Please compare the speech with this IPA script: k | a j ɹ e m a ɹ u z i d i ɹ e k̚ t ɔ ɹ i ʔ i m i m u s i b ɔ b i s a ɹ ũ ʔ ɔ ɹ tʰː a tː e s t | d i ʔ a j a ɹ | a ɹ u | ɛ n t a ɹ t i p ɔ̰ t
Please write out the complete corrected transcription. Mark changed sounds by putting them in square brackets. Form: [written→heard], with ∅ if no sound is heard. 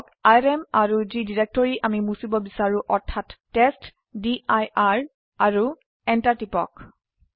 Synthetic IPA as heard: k | a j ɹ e m a ɹ u z i d i ɹ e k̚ t ɔ ɹ i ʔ [i→a] m i m u s i b ɔ b i s a ɹ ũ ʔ ɔ ɹ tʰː a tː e s t | d i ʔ a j a ɹ | a ɹ u | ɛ n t a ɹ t i p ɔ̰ [t→k]